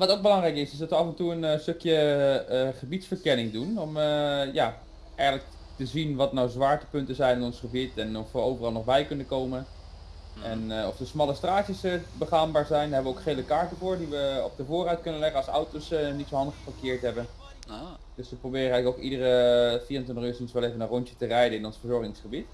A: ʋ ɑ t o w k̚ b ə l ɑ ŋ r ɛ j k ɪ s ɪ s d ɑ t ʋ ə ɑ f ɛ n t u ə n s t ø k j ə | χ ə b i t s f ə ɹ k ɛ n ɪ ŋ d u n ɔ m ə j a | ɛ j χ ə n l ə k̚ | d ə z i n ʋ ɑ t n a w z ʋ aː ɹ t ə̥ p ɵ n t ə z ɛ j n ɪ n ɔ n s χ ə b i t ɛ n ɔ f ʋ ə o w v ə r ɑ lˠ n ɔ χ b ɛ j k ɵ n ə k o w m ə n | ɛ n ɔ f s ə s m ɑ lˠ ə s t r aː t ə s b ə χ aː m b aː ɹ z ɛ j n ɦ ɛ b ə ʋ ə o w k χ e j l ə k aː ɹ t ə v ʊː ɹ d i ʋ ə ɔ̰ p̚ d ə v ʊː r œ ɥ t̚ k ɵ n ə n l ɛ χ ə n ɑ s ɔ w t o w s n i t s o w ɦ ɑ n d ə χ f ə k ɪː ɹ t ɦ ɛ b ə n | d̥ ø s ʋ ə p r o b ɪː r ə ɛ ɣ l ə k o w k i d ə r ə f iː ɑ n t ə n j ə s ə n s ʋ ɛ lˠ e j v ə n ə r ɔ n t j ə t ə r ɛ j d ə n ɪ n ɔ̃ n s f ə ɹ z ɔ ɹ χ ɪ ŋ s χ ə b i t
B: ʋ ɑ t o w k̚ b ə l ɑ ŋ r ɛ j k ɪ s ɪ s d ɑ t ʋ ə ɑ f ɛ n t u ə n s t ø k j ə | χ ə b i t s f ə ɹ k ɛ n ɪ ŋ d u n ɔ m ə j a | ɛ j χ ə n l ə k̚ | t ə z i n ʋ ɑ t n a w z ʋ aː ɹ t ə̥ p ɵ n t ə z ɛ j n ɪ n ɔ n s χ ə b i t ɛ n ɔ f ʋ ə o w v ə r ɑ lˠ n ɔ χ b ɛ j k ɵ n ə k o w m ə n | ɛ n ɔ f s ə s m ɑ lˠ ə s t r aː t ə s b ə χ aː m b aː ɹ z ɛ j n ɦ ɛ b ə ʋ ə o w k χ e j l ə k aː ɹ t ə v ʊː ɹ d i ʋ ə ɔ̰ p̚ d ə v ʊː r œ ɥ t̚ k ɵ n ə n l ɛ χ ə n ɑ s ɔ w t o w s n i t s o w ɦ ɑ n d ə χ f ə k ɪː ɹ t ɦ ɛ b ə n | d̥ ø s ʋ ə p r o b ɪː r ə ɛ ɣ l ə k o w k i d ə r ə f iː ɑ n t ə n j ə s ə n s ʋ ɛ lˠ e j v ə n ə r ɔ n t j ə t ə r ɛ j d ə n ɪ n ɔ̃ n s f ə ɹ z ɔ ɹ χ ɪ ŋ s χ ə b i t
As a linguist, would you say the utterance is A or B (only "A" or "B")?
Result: B